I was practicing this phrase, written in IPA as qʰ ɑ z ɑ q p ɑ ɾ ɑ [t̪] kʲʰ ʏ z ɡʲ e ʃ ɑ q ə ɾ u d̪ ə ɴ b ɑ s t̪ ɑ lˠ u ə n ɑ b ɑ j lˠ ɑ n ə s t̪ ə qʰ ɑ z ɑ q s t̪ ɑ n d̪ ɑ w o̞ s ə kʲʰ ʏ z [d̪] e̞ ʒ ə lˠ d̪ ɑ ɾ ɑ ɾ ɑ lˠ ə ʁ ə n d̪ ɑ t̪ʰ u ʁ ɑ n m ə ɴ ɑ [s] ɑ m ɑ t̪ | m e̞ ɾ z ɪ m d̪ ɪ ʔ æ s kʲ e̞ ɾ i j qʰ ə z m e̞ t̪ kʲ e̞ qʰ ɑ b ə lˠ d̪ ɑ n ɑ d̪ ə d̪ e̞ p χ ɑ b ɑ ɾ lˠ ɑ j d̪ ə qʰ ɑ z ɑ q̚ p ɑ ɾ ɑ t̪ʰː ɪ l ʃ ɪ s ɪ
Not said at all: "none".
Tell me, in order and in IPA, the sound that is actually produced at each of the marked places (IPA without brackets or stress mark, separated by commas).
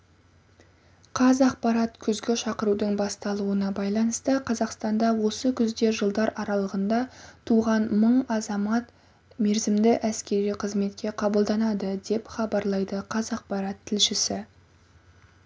t̪, d̪, z